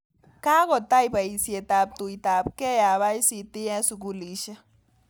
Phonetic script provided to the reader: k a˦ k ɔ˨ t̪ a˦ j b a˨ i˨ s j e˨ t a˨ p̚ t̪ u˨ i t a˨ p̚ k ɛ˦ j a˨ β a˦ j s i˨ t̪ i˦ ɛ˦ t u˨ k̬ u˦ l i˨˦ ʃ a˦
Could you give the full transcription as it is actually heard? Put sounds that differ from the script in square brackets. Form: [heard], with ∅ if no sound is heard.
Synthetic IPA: k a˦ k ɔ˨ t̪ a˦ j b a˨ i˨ s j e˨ t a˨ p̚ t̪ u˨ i t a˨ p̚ k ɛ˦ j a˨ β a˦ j s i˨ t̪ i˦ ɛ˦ [s] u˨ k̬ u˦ l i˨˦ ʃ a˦